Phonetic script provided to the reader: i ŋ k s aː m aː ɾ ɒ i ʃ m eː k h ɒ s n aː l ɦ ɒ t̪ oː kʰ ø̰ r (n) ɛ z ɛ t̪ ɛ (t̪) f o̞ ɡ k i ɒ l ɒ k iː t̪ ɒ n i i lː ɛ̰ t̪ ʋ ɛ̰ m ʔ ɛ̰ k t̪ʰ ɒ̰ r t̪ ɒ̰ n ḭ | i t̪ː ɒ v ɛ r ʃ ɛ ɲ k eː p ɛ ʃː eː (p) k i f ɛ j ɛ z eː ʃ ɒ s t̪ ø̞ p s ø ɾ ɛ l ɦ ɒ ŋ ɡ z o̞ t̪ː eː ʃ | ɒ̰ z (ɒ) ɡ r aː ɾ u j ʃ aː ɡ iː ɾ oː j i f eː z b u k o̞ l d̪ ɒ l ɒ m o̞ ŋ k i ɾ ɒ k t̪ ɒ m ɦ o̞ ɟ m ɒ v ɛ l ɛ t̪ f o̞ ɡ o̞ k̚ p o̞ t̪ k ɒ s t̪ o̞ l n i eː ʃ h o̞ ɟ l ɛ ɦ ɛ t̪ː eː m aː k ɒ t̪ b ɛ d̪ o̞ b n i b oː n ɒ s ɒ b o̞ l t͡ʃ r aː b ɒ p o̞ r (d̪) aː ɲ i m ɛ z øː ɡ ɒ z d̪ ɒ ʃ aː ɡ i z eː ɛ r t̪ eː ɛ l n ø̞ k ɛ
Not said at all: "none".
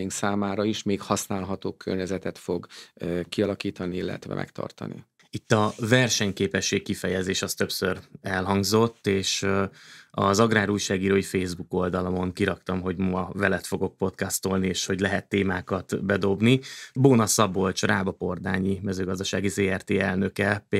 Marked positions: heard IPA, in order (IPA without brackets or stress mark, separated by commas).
ɲ, t̪, k, ɒ, d̪